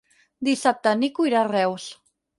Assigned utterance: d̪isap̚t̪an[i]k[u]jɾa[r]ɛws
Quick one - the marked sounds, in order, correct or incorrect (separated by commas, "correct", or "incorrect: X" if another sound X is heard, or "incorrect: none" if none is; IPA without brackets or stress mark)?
correct, correct, correct